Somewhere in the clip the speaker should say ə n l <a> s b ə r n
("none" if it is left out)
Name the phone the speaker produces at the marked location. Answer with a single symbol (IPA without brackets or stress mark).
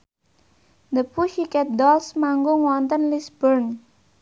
i